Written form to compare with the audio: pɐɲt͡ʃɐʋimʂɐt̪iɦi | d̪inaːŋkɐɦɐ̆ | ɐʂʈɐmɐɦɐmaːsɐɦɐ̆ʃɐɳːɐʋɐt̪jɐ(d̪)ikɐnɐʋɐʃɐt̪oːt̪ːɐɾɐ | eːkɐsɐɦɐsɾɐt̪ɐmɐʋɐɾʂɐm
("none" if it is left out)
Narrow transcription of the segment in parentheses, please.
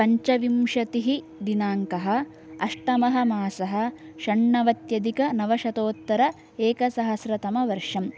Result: d̪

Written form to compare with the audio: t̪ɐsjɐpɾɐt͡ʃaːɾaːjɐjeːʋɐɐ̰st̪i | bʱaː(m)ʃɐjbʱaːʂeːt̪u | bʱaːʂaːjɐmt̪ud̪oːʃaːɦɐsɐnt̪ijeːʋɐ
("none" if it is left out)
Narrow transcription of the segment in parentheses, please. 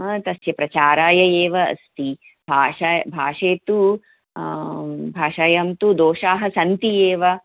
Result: none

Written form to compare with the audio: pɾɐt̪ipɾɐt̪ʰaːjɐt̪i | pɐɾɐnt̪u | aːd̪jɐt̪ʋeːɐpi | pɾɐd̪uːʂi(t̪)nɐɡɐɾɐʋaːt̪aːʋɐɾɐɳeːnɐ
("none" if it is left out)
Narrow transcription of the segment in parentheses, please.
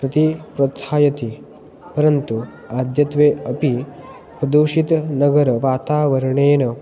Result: t̪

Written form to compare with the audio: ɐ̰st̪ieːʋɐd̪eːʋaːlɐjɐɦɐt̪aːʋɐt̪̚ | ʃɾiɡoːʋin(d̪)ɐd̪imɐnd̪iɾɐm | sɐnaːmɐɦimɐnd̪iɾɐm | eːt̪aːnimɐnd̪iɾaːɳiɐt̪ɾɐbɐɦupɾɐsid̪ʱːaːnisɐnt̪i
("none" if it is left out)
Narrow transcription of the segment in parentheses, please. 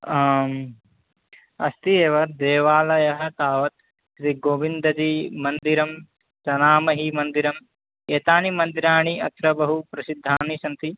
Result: d̪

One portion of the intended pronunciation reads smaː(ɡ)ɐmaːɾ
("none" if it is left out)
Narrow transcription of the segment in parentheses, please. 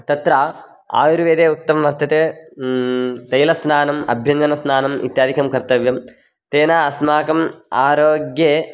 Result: k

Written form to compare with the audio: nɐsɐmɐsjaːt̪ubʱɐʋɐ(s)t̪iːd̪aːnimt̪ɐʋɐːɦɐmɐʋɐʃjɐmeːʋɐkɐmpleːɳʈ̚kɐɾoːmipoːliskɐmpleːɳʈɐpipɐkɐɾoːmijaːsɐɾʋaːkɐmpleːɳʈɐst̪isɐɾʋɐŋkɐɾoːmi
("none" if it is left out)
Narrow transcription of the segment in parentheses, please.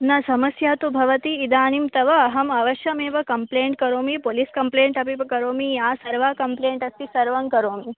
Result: none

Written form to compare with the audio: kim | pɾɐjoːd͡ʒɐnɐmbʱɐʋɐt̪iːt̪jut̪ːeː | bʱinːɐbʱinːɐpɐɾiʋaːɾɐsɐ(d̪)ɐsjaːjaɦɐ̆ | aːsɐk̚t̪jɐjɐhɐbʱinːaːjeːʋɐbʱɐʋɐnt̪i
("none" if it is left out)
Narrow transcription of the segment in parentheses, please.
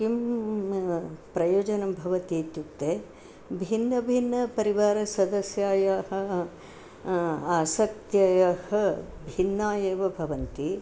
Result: d̪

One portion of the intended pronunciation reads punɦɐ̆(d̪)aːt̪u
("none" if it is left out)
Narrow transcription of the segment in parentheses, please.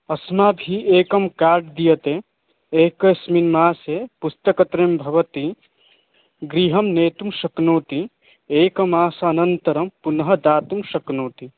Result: d̪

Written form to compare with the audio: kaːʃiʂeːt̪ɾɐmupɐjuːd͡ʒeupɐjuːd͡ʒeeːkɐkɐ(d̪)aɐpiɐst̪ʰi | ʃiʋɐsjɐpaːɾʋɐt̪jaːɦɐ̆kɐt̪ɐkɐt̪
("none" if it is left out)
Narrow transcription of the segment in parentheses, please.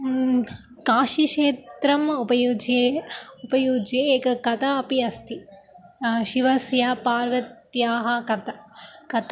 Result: t̪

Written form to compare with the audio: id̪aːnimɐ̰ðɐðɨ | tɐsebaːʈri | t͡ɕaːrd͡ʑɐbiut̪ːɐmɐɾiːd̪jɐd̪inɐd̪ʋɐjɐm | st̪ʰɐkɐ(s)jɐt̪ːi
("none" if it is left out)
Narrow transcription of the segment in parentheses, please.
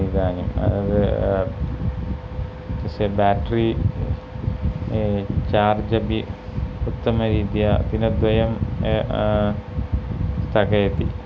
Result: none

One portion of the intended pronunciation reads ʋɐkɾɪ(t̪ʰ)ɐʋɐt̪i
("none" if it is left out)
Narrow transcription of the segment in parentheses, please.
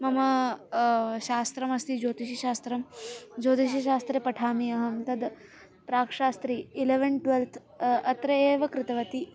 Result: t̪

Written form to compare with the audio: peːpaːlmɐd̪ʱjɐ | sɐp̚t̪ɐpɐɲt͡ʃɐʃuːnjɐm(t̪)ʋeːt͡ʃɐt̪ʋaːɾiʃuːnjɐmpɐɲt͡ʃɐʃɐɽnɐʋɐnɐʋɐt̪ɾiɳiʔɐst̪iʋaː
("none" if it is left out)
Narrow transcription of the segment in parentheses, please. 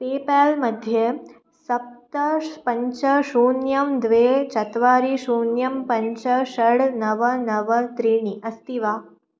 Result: d̪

